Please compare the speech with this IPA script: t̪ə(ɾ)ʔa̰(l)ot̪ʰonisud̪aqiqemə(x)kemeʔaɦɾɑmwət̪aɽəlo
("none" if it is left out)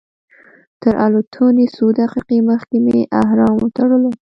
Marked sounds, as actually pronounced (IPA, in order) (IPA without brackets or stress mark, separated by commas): ɾ, l, x